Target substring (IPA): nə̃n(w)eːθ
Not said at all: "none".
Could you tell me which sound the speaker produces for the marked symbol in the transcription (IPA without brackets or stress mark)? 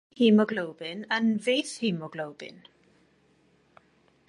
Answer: v